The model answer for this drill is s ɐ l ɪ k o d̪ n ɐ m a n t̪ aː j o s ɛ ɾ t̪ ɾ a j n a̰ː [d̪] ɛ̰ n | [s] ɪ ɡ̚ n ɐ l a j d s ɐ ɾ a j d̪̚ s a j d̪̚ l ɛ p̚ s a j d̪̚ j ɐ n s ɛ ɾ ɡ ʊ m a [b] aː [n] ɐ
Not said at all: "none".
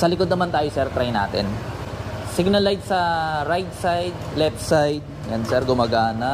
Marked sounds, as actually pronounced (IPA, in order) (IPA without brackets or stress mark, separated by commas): t̪, s, ɡ, n